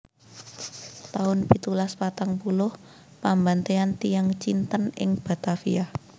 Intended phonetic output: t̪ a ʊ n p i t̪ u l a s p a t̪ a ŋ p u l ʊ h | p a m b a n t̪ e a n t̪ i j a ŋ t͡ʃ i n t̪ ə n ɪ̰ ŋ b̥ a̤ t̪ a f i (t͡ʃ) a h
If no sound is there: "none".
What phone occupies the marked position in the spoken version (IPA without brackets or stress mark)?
none